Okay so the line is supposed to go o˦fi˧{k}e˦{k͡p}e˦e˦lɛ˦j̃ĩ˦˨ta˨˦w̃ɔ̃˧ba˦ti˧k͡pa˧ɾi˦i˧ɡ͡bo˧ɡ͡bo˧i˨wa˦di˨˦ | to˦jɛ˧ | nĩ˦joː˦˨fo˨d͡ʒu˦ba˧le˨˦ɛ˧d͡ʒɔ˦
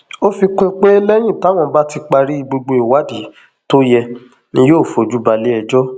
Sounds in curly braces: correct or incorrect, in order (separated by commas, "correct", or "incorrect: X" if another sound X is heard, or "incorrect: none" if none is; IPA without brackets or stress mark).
correct, correct